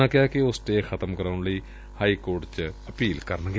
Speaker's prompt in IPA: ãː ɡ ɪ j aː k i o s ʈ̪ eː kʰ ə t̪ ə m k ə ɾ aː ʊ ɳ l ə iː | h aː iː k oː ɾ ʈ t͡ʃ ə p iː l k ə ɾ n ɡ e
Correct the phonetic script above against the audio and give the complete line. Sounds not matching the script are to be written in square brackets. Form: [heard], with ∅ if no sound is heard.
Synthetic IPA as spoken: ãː [k] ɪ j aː k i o s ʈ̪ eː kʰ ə t̪ ə m k ə ɾ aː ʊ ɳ l ə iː | h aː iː k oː ɾ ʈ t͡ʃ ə p iː l k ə ɾ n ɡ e